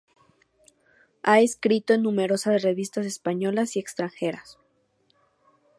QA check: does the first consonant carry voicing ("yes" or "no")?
no